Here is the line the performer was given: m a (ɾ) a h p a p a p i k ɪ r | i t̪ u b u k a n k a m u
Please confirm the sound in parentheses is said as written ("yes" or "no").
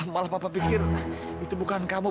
no